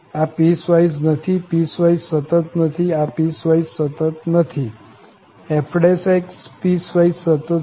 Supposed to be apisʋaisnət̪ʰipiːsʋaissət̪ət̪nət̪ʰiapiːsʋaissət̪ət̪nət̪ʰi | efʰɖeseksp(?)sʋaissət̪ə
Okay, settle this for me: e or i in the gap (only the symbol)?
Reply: i